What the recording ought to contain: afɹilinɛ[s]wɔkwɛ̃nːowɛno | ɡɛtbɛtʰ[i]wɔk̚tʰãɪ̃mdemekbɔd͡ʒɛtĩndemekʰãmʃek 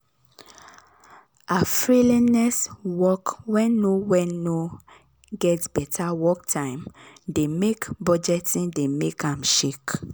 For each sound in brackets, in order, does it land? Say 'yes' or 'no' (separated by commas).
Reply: yes, no